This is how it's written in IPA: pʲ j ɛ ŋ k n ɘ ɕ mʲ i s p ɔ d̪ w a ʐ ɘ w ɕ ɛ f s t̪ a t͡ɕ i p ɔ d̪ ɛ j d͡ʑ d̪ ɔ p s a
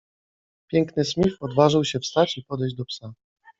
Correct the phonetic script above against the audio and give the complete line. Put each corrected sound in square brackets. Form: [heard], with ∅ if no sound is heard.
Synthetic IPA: pʲ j ɛ ŋ k n ɘ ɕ mʲ i [f] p ɔ d̪ [v] a ʐ ɘ w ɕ ɛ f s t̪ a t͡ɕ i p ɔ d̪ ɛ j d͡ʑ d̪ ɔ p s a